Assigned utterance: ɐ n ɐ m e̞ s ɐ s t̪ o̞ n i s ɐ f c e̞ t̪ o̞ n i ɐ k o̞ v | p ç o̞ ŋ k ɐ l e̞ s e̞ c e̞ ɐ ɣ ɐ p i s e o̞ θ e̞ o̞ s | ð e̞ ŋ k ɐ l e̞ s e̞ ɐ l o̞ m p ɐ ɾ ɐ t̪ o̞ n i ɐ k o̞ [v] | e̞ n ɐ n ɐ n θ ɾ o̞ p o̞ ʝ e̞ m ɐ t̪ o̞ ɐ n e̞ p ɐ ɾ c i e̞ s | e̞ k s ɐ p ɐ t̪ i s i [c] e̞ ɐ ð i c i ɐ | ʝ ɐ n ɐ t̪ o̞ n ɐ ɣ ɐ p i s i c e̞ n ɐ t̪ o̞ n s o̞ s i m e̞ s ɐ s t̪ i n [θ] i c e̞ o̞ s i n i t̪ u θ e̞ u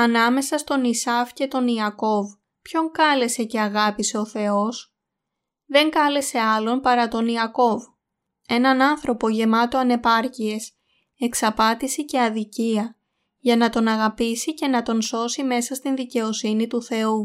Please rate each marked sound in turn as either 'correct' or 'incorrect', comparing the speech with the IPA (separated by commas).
correct, correct, incorrect